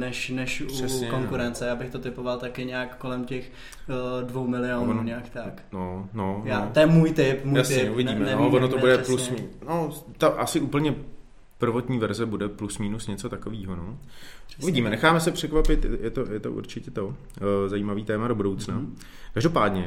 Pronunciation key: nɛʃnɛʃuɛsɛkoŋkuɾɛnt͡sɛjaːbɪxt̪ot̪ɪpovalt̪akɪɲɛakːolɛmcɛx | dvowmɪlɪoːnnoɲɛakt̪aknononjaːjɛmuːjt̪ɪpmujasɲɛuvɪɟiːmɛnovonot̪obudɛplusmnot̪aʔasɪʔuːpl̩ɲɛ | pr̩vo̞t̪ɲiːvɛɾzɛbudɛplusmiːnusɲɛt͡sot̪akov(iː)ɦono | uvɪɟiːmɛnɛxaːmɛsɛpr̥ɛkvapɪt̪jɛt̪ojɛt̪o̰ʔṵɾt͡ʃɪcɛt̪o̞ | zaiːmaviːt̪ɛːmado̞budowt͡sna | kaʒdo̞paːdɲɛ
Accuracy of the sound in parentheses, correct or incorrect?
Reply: correct